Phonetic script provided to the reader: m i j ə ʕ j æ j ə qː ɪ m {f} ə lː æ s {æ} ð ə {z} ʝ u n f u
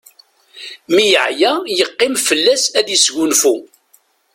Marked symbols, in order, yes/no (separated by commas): yes, yes, no